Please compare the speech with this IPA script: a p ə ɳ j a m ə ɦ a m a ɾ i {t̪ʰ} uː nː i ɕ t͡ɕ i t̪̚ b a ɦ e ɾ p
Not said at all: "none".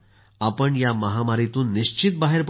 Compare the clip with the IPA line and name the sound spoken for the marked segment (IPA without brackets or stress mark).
t̪